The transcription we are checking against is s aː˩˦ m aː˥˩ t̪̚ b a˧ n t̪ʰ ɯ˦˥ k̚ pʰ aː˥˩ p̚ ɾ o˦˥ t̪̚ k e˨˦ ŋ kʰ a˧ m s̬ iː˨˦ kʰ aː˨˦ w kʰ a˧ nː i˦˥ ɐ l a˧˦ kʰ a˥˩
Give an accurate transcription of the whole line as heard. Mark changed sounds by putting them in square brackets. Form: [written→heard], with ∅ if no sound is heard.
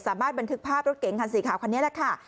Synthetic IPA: s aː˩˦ m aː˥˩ t̪̚ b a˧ n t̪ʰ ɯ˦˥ k̚ pʰ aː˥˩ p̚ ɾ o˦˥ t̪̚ k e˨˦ ŋ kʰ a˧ [m→n] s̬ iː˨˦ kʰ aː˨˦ w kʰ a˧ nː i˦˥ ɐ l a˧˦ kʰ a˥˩